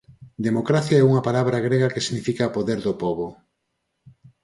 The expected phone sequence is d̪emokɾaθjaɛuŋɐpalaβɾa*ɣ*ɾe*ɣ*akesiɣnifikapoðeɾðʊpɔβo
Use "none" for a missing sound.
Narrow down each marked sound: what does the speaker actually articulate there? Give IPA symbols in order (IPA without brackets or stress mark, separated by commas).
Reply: ɣ, ɣ